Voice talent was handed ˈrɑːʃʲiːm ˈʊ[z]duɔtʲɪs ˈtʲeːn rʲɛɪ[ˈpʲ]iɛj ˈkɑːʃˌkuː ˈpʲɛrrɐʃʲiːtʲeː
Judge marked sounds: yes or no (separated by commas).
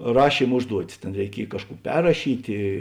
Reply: no, no